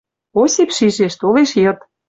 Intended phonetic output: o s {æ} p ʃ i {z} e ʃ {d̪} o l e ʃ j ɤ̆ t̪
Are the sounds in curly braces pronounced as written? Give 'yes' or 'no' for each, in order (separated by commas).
no, no, no